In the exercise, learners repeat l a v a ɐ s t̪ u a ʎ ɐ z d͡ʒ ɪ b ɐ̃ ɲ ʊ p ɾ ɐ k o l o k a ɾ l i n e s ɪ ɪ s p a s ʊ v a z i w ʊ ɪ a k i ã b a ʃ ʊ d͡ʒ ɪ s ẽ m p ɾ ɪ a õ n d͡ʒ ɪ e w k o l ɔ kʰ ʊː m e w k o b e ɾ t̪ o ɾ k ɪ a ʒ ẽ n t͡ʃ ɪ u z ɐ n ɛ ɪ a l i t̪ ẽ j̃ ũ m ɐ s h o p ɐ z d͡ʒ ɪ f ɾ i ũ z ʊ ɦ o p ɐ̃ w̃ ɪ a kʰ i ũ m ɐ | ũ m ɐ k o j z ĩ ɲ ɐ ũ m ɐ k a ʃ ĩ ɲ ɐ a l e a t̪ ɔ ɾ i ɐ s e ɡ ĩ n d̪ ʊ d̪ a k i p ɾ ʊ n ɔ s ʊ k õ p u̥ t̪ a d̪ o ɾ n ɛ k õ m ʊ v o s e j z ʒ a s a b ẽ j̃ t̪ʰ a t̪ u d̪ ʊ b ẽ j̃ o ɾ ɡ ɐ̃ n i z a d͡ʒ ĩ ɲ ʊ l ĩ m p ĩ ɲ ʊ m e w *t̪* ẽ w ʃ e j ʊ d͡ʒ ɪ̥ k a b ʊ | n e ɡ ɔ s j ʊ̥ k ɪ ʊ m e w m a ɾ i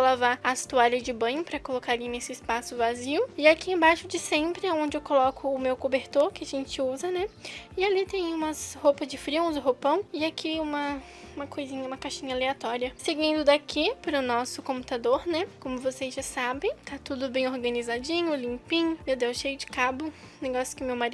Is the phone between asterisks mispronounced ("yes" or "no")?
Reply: yes